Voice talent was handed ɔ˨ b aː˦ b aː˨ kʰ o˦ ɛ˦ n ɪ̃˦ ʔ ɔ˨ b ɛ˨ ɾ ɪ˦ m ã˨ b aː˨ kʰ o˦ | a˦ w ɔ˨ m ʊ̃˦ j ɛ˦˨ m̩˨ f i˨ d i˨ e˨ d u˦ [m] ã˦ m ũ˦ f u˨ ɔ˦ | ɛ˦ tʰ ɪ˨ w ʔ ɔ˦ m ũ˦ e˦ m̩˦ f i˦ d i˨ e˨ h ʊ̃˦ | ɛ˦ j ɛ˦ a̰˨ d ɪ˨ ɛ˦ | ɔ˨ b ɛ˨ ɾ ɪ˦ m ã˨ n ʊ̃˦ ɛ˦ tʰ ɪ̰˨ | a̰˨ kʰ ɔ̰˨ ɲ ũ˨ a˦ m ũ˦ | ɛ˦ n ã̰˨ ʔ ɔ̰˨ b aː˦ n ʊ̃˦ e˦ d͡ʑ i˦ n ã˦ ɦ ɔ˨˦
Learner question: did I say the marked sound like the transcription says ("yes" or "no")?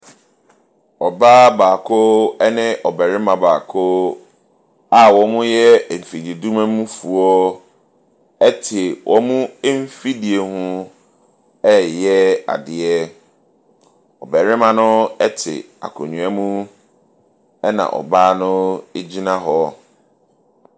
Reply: yes